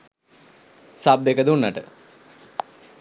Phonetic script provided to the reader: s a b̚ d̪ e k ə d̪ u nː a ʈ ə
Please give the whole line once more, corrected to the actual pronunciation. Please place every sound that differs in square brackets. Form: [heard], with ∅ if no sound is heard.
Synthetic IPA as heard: s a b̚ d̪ e k ə d̪ u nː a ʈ ə